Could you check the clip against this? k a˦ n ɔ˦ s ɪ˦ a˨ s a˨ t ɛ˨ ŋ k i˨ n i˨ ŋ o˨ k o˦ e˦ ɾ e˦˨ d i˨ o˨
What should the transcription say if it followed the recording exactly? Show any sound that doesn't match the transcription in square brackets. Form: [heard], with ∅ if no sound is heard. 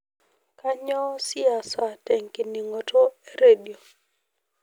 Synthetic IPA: k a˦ [ɲ] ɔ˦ s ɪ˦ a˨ s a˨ t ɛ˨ ŋ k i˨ n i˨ ŋ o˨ [t] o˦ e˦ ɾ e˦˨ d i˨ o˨